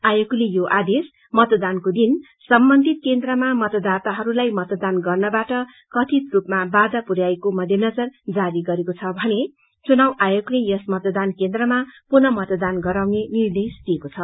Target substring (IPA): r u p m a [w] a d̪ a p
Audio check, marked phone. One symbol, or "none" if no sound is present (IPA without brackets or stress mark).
b